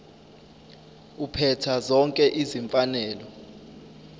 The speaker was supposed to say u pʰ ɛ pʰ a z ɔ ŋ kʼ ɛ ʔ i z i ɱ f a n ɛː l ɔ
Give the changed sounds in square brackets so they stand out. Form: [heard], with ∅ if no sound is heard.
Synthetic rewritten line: u pʰ ɛ [tʰ] a z ɔ ŋ kʼ ɛ ʔ i z i ɱ f a n ɛː l ɔ

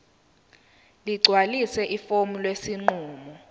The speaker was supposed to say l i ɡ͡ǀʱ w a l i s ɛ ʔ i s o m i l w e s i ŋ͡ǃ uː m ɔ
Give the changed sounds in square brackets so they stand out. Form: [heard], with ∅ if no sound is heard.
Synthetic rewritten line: l i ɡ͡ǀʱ w a l i s ɛ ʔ i [f] o m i l w e s i ŋ͡ǃ uː m ɔ

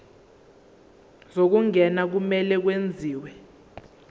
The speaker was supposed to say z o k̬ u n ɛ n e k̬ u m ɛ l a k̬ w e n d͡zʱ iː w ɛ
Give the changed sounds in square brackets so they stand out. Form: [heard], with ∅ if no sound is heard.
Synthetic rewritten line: z o k̬ u [ŋ] ɛ n [a] k̬ u m ɛ l [ɛ] k̬ w e n d͡zʱ iː w ɛ

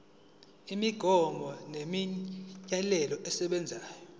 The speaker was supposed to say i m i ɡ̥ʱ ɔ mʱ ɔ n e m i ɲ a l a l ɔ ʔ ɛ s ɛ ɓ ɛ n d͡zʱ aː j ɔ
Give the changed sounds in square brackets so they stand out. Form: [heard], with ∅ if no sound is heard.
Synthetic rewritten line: i m i ɡ̥ʱ ɔ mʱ ɔ n e m i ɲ a l [ɛ] l ɔ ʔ ɛ s ɛ ɓ ɛ n d͡zʱ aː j ɔ

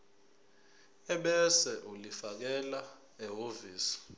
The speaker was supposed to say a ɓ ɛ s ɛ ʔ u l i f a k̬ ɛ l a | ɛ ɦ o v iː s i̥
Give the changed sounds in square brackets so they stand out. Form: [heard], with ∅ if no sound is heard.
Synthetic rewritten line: [ɛ] ɓ ɛ s ɛ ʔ u l i f a k̬ ɛ l a | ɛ ɦ o v iː s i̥

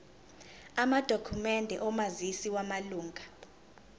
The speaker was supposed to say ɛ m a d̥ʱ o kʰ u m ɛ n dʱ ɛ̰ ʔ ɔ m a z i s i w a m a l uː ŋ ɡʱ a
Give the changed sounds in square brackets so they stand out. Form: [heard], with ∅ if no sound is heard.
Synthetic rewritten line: [a] m a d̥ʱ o kʰ u m ɛ n dʱ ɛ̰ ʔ ɔ m a z i s i w a m a l uː ŋ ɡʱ a

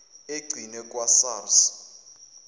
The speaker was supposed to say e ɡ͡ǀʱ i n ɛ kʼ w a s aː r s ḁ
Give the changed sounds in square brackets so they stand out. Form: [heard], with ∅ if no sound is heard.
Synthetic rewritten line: e ɡ͡ǀʱ i n ɛ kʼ w a s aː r s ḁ

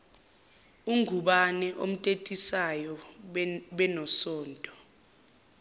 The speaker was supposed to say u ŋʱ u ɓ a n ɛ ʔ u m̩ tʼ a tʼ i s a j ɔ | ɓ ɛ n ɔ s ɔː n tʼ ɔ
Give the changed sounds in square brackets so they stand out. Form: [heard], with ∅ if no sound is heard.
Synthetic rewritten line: u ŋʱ u ɓ a n ɛ ʔ [o] m̩ tʼ [e] tʼ i s a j ɔ | ɓ ɛ n ɔ s ɔː n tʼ ɔ

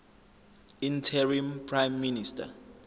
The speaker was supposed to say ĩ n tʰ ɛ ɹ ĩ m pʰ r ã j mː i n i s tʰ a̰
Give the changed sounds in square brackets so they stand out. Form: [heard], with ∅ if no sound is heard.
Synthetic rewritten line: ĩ n tʰ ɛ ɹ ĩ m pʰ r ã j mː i n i s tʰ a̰

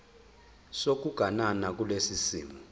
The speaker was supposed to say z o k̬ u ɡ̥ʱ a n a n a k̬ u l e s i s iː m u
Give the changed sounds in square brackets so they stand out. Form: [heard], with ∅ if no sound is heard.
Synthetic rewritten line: [s] o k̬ u ɡ̥ʱ a n a n a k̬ u l e s i s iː m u

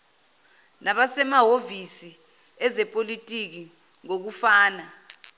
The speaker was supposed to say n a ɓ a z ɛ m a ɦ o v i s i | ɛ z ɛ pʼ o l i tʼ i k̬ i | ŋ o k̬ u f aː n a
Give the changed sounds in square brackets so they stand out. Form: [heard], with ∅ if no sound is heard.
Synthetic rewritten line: n a ɓ a [s] ɛ m a ɦ o v i s i | ɛ z ɛ pʼ o l i tʼ i k̬ i | ŋ o k̬ u f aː n a

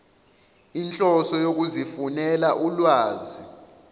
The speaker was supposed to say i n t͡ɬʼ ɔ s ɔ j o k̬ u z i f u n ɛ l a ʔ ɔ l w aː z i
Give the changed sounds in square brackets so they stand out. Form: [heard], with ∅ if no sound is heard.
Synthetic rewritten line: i n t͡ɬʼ ɔ s ɔ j o k̬ u z i f u n ɛ l a ʔ [u] l w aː z i

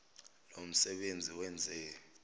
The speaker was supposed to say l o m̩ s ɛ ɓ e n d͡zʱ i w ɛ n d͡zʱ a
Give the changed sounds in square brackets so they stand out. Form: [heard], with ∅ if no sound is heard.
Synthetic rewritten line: l o m̩ s ɛ ɓ e n d͡zʱ i w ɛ n d͡zʱ [ɛ]

